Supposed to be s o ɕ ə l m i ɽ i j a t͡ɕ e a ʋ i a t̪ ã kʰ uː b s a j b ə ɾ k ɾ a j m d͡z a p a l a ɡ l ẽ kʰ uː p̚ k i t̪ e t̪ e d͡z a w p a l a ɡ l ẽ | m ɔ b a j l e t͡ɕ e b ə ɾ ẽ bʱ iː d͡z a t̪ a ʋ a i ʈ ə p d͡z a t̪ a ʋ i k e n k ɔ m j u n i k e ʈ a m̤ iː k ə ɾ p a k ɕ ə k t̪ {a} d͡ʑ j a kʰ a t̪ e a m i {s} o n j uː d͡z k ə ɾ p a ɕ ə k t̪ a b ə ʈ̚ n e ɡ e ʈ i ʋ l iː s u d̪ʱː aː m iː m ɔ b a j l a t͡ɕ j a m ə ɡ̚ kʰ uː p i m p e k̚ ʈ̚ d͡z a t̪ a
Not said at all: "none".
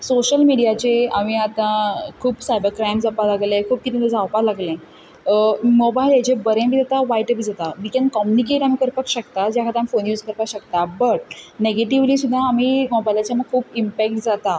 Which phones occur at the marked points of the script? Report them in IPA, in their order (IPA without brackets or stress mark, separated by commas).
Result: a, f